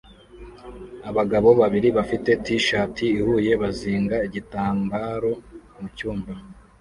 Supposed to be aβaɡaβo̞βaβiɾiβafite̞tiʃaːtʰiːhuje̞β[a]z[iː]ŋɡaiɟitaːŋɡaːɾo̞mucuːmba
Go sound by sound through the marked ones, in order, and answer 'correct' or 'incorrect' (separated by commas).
correct, correct